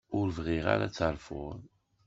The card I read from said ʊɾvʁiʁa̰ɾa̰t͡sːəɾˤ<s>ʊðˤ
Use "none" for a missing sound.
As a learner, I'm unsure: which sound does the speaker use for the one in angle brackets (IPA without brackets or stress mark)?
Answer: f